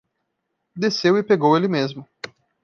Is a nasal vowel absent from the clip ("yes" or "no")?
yes